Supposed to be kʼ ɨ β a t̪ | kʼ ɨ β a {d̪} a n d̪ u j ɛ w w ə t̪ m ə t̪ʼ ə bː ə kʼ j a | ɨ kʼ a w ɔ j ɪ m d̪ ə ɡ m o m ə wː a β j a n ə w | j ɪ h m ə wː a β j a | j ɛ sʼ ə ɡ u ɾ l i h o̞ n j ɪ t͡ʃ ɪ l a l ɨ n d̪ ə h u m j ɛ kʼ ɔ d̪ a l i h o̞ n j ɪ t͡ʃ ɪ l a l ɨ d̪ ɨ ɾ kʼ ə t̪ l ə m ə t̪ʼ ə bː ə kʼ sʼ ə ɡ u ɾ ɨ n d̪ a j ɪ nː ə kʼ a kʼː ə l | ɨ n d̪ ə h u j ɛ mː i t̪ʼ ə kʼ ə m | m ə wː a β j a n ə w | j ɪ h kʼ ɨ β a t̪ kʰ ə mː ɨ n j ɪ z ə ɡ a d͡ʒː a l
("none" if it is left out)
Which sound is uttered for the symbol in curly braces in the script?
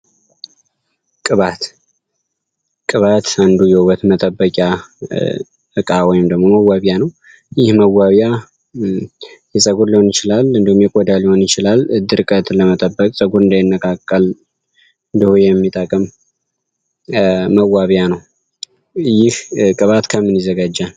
t̪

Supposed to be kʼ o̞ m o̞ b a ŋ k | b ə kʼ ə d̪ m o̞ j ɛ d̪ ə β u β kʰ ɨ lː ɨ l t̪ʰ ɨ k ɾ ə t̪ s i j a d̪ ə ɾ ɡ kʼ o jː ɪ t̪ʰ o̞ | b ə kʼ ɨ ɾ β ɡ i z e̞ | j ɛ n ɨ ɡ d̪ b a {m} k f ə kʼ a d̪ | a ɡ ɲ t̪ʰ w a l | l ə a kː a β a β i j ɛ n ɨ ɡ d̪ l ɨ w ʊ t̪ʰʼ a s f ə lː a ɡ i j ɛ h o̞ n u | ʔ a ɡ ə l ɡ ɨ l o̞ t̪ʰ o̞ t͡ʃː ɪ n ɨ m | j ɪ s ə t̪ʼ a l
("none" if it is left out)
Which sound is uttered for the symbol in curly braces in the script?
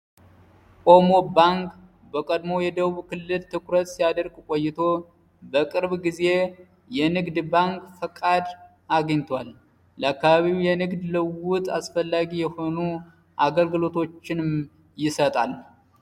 ŋ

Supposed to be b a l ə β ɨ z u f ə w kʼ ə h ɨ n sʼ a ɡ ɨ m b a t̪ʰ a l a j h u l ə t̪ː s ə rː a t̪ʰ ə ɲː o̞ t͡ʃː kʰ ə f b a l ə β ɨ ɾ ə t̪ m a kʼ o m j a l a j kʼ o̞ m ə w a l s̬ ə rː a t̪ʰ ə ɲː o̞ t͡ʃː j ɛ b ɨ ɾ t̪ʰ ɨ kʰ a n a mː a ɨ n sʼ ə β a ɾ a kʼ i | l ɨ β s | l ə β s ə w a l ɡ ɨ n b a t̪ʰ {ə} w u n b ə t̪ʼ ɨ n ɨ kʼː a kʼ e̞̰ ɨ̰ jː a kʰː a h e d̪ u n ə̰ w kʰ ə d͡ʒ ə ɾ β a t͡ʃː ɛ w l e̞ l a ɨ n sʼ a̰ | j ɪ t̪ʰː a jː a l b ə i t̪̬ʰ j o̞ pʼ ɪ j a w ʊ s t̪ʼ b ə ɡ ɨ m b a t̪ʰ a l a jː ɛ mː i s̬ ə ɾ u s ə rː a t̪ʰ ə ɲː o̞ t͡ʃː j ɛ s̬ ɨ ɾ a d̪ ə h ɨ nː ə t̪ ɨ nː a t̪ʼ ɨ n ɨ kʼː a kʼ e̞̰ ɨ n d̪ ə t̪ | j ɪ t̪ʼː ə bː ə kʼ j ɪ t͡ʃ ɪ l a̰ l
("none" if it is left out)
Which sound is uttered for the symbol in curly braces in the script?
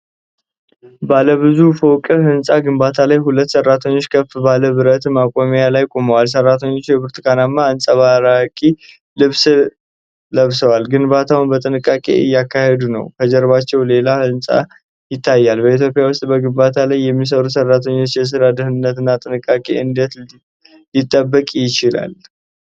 a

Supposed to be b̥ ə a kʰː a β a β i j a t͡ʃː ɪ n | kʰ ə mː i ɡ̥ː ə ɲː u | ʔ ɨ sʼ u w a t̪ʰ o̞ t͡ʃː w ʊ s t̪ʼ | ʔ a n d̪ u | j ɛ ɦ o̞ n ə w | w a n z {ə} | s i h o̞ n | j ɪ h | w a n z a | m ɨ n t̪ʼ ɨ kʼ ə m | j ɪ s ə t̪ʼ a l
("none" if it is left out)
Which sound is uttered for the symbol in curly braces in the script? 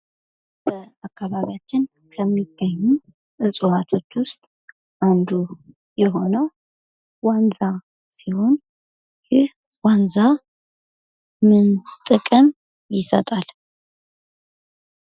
a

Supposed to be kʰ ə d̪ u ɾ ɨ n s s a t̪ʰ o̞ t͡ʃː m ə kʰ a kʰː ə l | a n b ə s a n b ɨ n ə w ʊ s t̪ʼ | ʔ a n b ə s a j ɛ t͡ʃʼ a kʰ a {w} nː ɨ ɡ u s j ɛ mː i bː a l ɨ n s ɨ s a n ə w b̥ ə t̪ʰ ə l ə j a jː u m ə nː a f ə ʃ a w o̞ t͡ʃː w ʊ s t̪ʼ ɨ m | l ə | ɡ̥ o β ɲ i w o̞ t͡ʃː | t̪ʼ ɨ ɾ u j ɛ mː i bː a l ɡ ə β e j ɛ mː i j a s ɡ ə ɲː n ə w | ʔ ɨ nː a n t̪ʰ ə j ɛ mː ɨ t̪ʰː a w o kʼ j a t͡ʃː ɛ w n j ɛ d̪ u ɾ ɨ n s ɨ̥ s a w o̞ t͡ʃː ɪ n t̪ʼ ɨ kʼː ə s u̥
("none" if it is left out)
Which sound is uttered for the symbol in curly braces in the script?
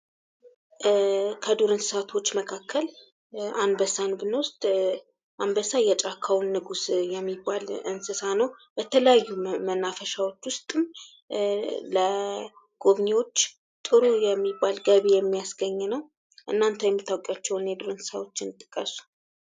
w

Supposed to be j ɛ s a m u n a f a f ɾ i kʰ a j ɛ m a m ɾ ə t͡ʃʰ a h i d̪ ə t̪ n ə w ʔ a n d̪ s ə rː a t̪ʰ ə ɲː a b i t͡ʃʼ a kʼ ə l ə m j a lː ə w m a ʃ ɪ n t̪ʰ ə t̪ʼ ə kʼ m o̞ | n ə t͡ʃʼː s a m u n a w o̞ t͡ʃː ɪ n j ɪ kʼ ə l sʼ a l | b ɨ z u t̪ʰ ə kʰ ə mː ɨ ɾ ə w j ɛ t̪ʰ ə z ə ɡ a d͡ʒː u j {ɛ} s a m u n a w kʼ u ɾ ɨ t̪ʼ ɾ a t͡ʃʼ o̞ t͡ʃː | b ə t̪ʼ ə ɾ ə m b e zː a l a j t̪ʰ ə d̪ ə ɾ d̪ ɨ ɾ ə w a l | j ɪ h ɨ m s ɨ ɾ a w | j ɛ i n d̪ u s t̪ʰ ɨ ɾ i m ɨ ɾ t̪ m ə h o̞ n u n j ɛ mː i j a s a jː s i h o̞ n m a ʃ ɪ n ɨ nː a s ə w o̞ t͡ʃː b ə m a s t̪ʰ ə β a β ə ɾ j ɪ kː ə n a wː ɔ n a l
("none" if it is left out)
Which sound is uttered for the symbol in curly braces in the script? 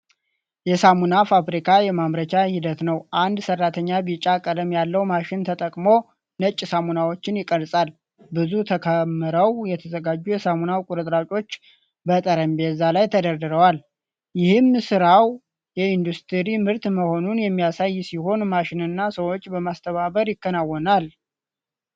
ɛ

